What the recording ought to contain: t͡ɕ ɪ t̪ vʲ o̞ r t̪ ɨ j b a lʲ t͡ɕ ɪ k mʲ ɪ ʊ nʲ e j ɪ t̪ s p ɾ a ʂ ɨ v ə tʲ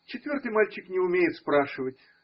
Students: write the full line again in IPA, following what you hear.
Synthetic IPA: t͡ɕ ɪ t̪ vʲ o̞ r t̪ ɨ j m a lʲ t͡ɕ ɪ k nʲ ɪ ʊ mʲ e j ɪ t̪ s p ɾ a ʂ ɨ v ə tʲ